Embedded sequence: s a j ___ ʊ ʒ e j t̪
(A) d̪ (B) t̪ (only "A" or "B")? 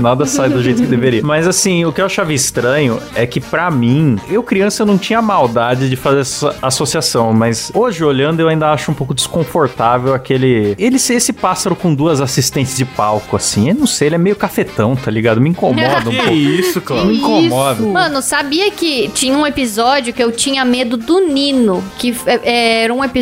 A